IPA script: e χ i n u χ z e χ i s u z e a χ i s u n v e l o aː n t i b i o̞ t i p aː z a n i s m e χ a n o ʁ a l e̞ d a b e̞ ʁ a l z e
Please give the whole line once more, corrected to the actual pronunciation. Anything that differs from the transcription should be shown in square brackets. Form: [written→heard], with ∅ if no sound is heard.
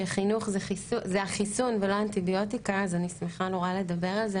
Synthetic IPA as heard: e χ i n u χ z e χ i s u z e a χ i s u n v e l o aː n t i b i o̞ t i [p→k] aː z a n i s m e χ a n o ʁ a l e̞ d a b e̞ ʁ a l z e